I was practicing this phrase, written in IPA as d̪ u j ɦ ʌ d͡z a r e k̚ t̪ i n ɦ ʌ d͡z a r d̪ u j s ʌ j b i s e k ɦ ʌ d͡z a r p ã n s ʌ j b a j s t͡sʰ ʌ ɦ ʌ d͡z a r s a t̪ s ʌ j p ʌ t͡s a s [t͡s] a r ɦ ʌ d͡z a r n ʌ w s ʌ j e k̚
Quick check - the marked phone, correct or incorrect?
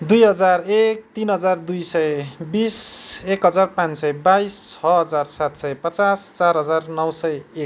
correct